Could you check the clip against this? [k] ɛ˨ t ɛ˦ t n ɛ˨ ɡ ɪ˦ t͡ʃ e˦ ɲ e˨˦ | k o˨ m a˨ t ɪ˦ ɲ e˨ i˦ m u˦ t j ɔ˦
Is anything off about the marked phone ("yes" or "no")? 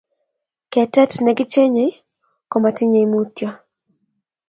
no